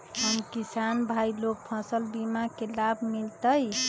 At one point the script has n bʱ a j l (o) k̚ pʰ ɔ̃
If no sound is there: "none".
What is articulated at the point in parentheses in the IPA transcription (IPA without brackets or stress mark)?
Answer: o